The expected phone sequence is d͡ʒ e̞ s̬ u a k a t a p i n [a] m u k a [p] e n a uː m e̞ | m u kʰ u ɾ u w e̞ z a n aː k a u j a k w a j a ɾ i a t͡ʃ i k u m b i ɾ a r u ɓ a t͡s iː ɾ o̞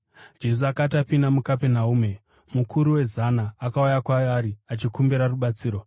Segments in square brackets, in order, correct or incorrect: correct, correct

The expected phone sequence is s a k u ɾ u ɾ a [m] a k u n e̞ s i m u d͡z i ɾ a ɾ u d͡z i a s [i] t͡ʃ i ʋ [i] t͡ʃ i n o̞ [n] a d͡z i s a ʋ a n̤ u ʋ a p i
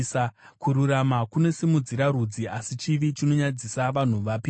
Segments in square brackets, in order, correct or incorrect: correct, correct, correct, incorrect

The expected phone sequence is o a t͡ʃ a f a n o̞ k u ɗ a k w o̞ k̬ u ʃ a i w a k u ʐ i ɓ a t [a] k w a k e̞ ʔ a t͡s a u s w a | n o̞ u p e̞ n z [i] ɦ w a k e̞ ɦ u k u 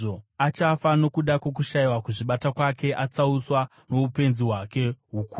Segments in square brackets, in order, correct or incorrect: correct, correct

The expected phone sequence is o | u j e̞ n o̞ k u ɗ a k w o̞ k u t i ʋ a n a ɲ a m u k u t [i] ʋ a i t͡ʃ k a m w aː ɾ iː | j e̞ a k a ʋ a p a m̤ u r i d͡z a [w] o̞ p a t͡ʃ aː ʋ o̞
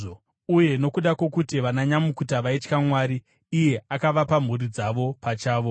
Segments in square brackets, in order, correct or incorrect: incorrect, incorrect

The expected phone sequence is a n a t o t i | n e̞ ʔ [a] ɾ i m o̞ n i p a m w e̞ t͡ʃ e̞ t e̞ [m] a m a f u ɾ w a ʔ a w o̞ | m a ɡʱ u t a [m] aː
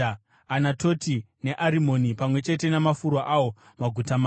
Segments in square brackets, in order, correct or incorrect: correct, incorrect, correct

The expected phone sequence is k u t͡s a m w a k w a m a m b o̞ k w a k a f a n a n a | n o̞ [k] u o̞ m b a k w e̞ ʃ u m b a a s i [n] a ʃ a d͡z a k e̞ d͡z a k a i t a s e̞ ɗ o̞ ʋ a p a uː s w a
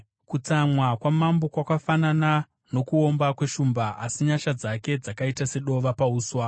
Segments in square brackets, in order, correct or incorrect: correct, incorrect

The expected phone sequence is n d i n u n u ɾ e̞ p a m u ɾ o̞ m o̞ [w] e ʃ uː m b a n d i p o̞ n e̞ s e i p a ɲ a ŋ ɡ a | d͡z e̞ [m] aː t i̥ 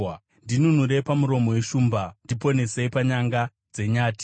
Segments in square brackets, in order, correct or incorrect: correct, incorrect

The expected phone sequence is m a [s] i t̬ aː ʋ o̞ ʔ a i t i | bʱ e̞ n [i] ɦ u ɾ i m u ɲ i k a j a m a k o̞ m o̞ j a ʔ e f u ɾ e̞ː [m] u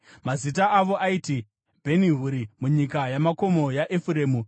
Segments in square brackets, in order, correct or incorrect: incorrect, correct, correct

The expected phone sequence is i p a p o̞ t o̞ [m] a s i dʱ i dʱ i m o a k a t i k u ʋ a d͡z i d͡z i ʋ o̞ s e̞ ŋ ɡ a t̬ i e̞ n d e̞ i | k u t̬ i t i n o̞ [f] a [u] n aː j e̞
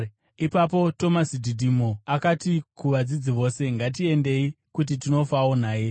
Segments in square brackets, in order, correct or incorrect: correct, correct, incorrect

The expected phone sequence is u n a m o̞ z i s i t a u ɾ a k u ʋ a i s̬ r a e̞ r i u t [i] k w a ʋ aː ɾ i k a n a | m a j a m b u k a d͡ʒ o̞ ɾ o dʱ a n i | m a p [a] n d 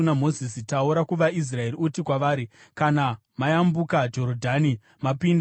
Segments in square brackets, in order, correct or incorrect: correct, incorrect

